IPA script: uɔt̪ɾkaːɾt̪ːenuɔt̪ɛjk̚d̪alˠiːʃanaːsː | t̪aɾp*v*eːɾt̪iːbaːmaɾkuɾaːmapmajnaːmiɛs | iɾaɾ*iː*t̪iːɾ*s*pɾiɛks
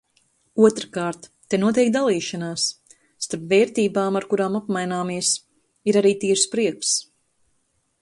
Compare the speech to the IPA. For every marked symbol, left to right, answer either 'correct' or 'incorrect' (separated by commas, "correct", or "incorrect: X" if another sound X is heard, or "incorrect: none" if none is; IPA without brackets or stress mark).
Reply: correct, correct, correct